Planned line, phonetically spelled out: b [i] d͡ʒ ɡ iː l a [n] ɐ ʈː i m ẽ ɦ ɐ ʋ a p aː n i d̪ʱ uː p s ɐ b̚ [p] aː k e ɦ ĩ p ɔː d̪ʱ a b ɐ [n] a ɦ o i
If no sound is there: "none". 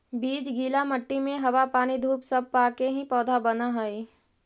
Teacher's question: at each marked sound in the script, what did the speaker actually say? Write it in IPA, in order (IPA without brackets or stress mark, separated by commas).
iː, m, p, n